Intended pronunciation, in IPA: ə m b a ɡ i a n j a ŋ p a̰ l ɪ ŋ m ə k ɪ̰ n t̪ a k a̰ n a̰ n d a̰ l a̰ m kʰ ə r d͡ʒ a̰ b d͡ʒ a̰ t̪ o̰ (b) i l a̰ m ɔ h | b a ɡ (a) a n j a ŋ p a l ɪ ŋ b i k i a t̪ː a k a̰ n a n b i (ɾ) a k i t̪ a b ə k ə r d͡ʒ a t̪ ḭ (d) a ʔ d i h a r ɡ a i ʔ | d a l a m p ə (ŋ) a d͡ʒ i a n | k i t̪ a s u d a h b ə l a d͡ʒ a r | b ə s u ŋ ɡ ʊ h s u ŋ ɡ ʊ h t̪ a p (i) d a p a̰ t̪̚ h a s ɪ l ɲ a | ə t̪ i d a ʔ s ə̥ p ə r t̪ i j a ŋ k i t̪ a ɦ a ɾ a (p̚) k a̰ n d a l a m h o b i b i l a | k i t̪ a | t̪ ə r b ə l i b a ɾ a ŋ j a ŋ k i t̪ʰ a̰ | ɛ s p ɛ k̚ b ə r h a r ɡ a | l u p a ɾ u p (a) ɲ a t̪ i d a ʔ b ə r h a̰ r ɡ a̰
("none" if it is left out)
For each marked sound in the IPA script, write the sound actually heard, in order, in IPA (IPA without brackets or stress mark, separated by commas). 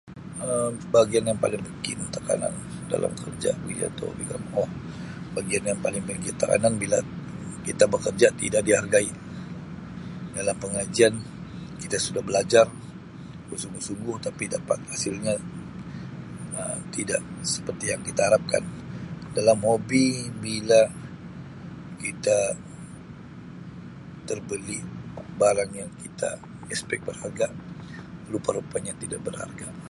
b, i, l, d, ŋ, i, p̚, a